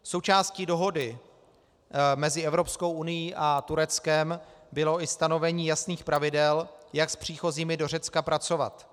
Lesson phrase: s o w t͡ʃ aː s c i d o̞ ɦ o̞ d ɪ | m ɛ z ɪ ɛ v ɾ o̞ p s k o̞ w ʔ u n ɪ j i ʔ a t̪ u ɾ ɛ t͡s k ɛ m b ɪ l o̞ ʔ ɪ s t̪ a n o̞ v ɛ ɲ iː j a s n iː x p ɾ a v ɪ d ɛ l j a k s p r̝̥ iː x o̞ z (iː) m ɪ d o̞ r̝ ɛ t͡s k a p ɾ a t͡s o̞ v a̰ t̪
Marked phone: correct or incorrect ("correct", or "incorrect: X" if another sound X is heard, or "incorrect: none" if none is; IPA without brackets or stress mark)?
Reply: correct